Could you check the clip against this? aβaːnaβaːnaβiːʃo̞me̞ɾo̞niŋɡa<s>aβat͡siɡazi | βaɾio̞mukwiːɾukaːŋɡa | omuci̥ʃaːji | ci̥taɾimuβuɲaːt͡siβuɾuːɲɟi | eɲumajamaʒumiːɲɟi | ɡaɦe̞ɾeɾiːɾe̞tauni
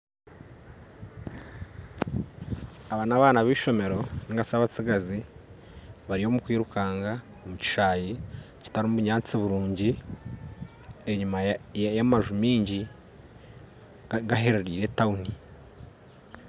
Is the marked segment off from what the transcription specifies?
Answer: no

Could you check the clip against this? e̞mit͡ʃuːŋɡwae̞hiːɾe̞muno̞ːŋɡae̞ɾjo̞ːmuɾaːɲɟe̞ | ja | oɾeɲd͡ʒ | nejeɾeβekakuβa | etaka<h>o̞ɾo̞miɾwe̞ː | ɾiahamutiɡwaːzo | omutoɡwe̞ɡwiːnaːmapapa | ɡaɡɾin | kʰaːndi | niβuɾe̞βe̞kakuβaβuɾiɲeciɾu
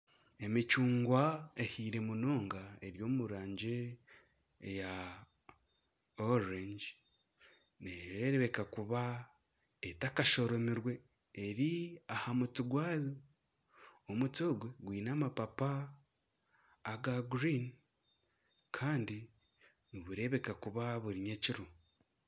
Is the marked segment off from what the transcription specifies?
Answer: yes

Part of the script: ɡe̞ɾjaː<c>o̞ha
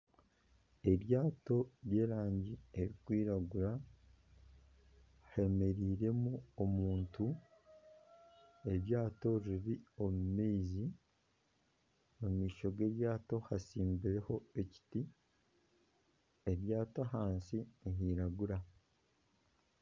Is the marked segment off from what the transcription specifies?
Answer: yes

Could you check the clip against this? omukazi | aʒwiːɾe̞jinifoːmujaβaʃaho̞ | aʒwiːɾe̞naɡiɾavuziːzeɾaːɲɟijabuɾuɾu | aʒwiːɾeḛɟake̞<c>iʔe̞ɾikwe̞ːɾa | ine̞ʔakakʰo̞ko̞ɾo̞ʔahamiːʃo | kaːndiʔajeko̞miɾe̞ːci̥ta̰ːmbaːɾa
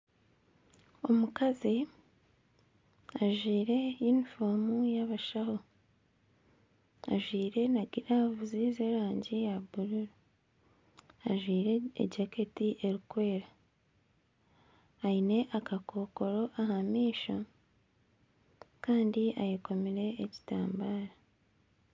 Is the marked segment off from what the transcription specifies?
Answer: yes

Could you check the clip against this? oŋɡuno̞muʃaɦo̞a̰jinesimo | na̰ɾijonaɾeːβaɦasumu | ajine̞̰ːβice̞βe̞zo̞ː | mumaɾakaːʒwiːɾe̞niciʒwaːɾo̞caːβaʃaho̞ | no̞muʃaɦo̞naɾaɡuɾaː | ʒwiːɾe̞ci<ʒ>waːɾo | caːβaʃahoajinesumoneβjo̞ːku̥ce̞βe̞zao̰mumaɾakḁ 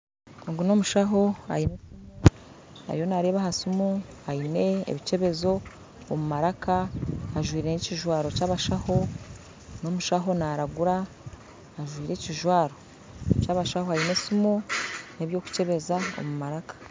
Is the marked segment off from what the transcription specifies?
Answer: no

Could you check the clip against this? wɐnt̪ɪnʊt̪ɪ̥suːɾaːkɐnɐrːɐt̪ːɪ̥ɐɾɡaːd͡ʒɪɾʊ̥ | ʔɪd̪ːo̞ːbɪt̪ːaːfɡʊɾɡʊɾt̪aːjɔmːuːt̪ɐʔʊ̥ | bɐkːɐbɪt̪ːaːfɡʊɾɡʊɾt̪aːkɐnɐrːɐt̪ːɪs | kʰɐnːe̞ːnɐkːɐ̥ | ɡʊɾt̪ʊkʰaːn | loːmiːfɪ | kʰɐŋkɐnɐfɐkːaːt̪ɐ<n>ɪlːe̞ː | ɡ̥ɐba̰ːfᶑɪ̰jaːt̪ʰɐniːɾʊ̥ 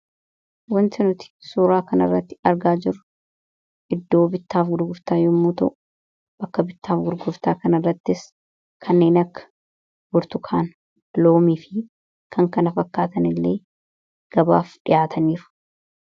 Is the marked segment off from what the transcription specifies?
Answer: no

